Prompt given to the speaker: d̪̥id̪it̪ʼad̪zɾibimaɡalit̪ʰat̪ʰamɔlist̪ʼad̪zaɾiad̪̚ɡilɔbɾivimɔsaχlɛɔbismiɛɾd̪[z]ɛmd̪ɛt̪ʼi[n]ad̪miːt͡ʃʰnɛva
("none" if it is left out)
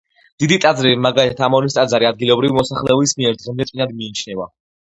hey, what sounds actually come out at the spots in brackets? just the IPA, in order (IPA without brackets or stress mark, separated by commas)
ʁ, n